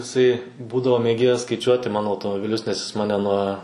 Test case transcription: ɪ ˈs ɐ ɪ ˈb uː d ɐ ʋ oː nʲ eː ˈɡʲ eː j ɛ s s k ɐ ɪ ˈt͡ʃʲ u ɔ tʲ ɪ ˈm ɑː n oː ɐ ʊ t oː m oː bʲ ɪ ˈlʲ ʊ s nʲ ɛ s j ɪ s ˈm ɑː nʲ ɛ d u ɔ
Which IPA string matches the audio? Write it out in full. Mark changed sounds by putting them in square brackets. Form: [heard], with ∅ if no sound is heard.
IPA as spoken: ɪ ˈs ɐ ɪ ˈb uː d ɐ ʋ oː [mʲ] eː ˈɡʲ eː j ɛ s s k ɐ ɪ ˈt͡ʃʲ u ɔ tʲ ɪ ˈm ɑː n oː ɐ ʊ t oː m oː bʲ ɪ ˈlʲ ʊ s nʲ ɛ s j ɪ s ˈm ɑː nʲ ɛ [n] u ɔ